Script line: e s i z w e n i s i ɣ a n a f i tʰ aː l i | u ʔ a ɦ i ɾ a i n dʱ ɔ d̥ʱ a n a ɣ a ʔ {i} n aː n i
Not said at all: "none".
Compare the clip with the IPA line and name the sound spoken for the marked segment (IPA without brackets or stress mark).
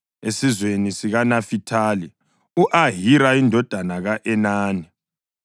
ɛ